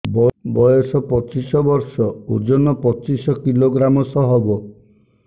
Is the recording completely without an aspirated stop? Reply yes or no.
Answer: yes